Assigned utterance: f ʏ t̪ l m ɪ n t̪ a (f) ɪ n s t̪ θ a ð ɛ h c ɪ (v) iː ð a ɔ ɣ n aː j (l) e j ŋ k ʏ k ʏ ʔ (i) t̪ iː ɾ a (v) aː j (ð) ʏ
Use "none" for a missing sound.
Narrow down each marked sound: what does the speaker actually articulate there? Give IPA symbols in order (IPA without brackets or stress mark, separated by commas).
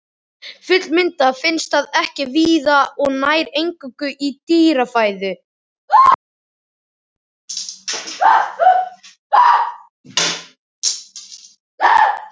f, v, ɾ, i, f, ð